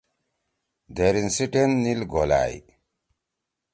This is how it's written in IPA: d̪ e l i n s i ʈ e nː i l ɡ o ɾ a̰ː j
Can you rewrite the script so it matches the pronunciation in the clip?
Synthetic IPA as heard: d̪ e ɾ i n s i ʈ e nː i l ɡ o l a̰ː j